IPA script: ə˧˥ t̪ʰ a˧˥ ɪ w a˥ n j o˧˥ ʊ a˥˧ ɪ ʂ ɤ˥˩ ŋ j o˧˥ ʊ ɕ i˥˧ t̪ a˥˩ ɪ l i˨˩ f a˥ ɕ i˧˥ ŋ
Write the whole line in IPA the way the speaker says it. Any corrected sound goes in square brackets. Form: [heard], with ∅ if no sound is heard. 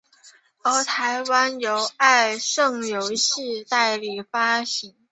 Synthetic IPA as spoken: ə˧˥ t̪ʰ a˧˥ ɪ w a˥ n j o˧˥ ʊ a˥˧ ɪ ʂ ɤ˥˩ ŋ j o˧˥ ʊ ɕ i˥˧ t̪ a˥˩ ɪ l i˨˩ f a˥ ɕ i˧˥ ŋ